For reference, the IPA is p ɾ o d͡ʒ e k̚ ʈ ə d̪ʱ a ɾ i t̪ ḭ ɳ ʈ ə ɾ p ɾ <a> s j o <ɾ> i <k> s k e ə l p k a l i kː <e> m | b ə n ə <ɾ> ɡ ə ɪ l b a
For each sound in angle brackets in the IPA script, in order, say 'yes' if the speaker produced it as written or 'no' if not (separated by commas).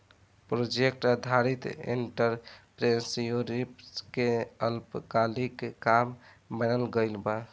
no, yes, no, no, no